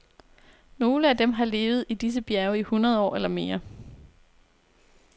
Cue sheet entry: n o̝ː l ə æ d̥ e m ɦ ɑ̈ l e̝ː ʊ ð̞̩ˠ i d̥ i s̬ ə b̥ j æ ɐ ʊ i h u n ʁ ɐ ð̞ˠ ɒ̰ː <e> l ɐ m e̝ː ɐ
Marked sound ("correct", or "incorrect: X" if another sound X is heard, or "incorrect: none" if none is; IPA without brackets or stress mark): correct